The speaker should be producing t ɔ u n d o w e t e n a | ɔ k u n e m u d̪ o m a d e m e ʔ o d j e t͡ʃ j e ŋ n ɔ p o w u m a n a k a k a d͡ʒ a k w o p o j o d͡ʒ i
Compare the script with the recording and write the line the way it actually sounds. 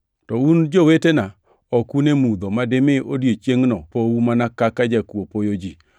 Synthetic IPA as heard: t ɔ u n d͡ʒ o w e t e n a | ɔ k u n e m u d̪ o m a d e m e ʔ o d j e t͡ʃ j e ŋ n ɔ p o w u m a n a k a k a d͡ʒ a k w o p o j o d͡ʒ i